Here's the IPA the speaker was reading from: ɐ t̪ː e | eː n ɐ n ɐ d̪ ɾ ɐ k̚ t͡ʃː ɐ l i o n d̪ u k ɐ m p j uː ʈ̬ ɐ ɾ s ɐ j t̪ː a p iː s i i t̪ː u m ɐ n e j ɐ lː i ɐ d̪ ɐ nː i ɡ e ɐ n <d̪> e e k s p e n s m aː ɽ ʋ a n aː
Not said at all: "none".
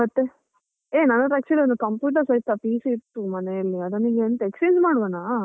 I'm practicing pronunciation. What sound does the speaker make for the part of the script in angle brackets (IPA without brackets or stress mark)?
t̪